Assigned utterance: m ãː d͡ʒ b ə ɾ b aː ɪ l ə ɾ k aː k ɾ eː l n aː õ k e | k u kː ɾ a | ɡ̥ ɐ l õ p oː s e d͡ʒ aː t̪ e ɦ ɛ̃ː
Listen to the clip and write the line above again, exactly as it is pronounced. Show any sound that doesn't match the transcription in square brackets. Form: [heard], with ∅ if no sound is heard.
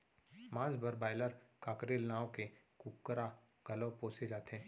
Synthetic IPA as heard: m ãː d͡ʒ b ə ɾ b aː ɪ l ə ɾ k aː k ɾ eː l n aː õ k e | k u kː ɾ a | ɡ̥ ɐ l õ p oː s e d͡ʒ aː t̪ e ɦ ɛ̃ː